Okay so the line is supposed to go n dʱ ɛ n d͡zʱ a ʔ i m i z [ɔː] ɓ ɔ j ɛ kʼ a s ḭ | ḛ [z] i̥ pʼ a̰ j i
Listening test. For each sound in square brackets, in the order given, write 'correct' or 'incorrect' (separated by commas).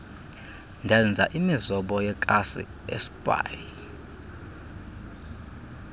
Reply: incorrect, incorrect